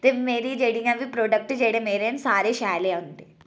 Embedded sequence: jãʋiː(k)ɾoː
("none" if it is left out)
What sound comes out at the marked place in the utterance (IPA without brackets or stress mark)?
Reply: p